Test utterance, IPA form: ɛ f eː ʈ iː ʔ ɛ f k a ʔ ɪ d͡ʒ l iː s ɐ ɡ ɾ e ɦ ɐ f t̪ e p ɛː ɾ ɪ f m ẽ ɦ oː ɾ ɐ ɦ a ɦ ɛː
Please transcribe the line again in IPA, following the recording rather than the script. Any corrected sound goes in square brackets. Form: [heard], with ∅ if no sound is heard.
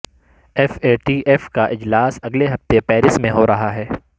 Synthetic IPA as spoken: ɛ f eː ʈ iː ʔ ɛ f k a ʔ ɪ d͡ʒ l [aː] s ɐ ɡ [l] e ɦ ɐ f t̪ e p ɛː ɾ ɪ [s] m ẽ ɦ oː ɾ ɐ ɦ a ɦ ɛː